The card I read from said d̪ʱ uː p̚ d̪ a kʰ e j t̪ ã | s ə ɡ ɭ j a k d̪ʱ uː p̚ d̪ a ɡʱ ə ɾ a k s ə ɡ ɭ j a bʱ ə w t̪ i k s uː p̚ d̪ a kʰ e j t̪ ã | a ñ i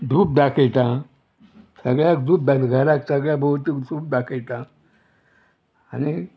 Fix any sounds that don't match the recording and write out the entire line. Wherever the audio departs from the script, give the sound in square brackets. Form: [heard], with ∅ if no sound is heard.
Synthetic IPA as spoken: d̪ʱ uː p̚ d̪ a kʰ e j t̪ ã | s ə ɡ ɭ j a k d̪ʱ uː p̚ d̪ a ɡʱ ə ɾ a k s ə ɡ ɭ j a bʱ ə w t̪ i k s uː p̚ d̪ a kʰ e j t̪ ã | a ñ i